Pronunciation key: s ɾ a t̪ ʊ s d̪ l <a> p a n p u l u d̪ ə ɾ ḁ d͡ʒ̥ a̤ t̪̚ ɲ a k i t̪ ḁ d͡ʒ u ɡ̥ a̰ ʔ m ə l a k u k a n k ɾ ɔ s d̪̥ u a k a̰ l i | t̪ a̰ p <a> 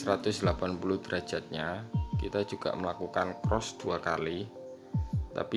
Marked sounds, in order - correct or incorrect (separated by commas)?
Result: correct, incorrect